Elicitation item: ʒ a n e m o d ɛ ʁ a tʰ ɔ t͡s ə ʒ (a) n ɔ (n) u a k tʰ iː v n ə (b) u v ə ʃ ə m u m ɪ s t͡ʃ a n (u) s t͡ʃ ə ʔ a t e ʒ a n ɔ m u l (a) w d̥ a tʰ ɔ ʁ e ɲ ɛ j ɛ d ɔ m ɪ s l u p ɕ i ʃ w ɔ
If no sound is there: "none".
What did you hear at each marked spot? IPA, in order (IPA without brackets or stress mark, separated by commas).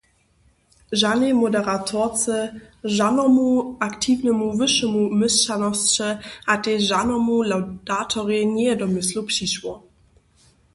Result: a, m, m, ɔ, a